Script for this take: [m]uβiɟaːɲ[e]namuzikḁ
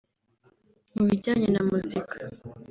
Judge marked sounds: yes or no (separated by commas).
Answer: yes, yes